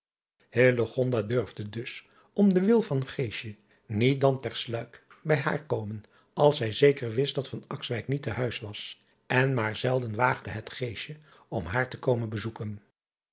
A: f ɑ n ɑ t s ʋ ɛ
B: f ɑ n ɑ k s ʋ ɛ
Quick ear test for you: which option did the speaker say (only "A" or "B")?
B